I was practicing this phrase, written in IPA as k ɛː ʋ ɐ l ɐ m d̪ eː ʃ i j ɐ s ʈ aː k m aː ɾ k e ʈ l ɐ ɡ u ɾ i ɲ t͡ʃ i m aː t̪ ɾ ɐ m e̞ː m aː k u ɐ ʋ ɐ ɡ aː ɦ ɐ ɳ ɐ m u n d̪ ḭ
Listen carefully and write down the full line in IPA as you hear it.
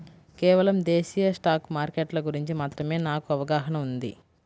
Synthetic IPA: k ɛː ʋ ɐ l ɐ m d̪ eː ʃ i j ɐ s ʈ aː k m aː ɾ k e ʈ l ɐ ɡ u ɾ i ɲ t͡ʃ i m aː t̪ ɾ ɐ m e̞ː n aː k u ɐ ʋ ɐ ɡ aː ɦ ɐ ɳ ɐ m u n d̪ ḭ